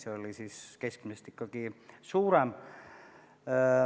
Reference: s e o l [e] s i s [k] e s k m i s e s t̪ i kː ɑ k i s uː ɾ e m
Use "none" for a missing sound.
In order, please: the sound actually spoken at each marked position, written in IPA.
i, k

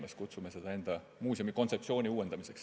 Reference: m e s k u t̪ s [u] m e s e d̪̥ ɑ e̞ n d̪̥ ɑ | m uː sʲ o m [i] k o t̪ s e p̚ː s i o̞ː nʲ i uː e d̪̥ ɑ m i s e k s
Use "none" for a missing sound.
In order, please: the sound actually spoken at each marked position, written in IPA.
u, i

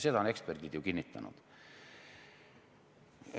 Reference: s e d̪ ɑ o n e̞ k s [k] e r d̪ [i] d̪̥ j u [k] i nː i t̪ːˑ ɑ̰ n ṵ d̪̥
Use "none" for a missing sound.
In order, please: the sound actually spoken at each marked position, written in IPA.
p, i, k

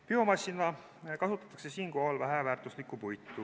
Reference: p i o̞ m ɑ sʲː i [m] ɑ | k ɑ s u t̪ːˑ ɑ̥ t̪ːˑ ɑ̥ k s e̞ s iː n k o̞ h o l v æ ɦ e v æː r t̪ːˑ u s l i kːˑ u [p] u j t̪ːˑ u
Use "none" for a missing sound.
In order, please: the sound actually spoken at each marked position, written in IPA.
n, p

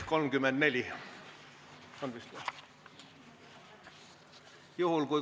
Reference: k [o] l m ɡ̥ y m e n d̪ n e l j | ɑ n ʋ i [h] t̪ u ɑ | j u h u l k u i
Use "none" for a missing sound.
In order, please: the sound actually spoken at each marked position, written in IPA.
o, s

